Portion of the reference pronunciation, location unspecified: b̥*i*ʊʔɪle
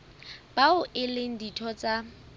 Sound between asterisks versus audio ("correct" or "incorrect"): incorrect